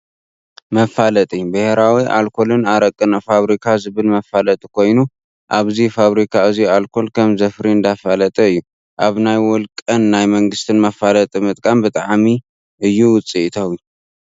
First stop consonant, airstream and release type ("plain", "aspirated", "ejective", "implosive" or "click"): ejective